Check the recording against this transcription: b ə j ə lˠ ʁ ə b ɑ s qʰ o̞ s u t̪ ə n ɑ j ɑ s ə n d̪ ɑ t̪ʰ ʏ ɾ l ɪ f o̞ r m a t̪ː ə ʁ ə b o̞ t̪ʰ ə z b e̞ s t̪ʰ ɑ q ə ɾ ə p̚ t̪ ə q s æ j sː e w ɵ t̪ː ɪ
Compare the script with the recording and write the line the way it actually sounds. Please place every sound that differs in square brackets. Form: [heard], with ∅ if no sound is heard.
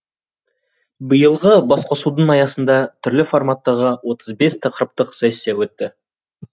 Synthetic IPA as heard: b ə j ə lˠ ʁ ə b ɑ s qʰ o̞ s u [d̪] ə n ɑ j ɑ s ə n d̪ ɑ t̪ʰ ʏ ɾ l ɪ f o̞ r m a t̪ː [ɑ] ʁ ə [w] o̞ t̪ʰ ə z b e̞ s t̪ʰ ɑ q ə ɾ ə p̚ t̪ ə q s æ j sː e w ɵ t̪ː ɪ

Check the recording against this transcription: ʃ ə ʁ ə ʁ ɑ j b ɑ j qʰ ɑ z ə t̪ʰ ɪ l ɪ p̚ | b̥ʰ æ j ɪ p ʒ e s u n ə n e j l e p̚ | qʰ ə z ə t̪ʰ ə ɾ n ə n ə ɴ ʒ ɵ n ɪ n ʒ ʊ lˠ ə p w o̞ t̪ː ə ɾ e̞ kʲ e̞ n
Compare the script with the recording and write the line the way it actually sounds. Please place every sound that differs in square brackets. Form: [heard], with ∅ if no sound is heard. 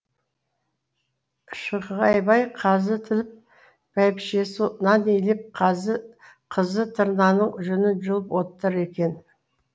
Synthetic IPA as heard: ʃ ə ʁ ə ʁ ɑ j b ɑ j qʰ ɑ z ə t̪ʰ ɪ l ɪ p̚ | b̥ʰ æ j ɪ p [ʃ] e s u n [ɑ] n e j l e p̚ | qʰ ə z ə t̪ʰ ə ɾ n [ɑ] n ə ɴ ʒ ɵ n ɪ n ʒ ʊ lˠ ə p w o̞ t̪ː ə ɾ e̞ kʲ e̞ n

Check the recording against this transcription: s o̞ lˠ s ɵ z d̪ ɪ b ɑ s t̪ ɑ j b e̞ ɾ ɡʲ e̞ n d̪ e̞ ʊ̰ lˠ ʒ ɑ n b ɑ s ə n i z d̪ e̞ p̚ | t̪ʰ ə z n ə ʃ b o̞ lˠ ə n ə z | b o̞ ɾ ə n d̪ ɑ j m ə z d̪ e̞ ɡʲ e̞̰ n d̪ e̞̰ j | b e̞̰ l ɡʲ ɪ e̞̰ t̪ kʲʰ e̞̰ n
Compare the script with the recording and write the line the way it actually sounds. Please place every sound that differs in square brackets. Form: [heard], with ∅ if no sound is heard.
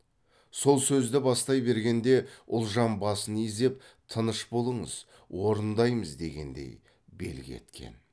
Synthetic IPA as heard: s o̞ lˠ s ɵ z d̪ ɪ b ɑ s t̪ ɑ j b e̞ ɾ ɡʲ e̞ n d̪ e̞ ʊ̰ lˠ ʒ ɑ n b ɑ s ə n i z d̪ e̞ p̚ | t̪ʰ ə [∅] n ə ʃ b o̞ lˠ ə [ɴ] ə z | [w] o̞ ɾ ə n d̪ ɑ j m ə z d̪ e̞ ɡʲ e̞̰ n d̪ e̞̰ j | b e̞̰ l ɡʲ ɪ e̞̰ t̪ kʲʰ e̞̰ n

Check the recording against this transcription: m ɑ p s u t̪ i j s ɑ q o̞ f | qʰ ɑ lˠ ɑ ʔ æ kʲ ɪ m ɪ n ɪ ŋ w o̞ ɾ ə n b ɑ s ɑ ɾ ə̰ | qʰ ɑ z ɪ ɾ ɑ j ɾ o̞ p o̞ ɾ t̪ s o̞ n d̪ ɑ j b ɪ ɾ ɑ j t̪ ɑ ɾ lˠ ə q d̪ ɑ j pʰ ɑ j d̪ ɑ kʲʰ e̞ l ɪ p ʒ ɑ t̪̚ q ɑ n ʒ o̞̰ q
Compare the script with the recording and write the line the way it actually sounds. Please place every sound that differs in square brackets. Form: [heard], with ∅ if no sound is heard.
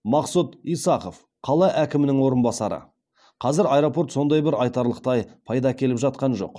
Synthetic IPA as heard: m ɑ [q] s u t̪ i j s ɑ q o̞ f | qʰ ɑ lˠ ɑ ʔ æ kʲ ɪ m ɪ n ɪ ŋ w o̞ ɾ ə n b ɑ s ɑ ɾ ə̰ | qʰ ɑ z ɪ ɾ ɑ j ɾ o̞ p o̞ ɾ t̪ s o̞ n d̪ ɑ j b ɪ ɾ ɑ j t̪ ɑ ɾ lˠ ə q [t̪] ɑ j pʰ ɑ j d̪ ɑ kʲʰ e̞ l ɪ p ʒ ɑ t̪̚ q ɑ n ʒ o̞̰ q

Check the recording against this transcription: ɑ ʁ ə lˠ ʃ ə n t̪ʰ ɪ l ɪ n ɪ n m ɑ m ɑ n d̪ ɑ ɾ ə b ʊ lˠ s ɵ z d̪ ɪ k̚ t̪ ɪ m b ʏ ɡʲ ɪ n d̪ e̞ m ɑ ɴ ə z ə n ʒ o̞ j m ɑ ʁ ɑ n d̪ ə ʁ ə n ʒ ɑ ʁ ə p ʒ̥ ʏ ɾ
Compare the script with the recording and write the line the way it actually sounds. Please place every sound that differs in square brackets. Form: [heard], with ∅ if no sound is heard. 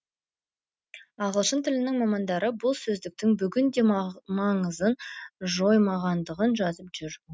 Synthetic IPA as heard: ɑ ʁ ə lˠ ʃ ə n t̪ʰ ɪ l ɪ n ɪ [ŋ] m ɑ m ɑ n d̪ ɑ ɾ ə b ʊ lˠ s ɵ z d̪ ɪ k̚ t̪ ɪ [ŋ] b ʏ ɡʲ ɪ n d̪ e̞ m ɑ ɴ ə z ə n ʒ o̞ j m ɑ ʁ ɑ n d̪ ə ʁ ə n ʒ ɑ [z] ə p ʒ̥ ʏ ɾ

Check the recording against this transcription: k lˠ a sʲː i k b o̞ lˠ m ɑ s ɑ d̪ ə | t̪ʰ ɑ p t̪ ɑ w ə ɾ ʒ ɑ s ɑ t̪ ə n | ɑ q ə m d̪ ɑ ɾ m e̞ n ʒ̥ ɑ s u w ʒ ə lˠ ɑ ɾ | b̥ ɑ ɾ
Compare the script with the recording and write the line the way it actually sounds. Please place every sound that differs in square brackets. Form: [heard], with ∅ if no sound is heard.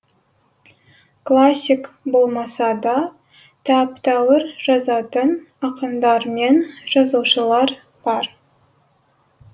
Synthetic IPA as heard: k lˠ a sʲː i k b o̞ lˠ m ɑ s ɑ d̪ [ɑ] | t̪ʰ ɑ p t̪ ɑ w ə ɾ ʒ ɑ [z] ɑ t̪ ə n | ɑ q ə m d̪ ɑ ɾ m e̞ n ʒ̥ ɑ [z] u w [ʃ] ə lˠ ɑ ɾ | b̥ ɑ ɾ

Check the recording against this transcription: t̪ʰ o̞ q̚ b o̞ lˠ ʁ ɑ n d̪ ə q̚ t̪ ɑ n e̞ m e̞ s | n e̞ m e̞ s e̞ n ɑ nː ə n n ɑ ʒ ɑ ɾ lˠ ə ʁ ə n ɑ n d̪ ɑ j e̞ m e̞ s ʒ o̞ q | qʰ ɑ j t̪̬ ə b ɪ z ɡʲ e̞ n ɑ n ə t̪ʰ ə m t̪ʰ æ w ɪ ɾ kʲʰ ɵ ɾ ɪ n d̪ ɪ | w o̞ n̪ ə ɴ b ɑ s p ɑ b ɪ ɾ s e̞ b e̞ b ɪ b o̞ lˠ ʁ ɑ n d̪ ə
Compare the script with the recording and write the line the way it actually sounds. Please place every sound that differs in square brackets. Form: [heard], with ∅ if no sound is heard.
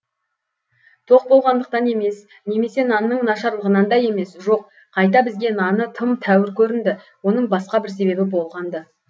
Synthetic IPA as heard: t̪ʰ o̞ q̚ b o̞ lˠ ʁ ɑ n d̪ ə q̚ t̪ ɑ n e̞ m e̞ s | n e̞ m e̞ s e̞ n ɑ nː ə [ɴ] n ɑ [ʃ] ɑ ɾ lˠ ə ʁ ə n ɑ n d̪ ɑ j e̞ m e̞ s ʒ o̞ q | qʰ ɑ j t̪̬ [ɑ] b ɪ z ɡʲ e̞ n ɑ n ə t̪ʰ ə m t̪ʰ æ w ɪ ɾ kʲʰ ɵ ɾ ɪ n d̪ ɪ | w o̞ n̪ ə ɴ b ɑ s [q] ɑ b ɪ ɾ s e̞ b e̞ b ɪ b o̞ lˠ ʁ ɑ n d̪ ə

